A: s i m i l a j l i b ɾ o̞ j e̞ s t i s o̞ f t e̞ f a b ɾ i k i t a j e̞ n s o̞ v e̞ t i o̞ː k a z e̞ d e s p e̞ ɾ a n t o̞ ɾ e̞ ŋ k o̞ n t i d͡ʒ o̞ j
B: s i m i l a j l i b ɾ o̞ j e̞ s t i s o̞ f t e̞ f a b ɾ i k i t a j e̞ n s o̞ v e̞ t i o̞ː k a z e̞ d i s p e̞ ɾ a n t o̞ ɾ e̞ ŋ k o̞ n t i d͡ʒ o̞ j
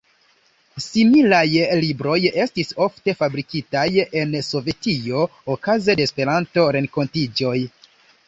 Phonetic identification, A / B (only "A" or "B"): A